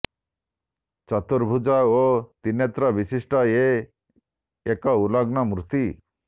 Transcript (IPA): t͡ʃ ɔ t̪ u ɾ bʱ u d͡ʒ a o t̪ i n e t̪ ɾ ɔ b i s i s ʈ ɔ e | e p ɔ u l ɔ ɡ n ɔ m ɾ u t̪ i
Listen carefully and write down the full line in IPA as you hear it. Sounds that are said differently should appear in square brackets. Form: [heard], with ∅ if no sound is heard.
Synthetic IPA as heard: t͡ʃ ɔ t̪ u ɾ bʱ u d͡ʒ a o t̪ i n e t̪ ɾ ɔ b i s i s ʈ ɔ e | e [k] ɔ u l ɔ ɡ n ɔ m ɾ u t̪ i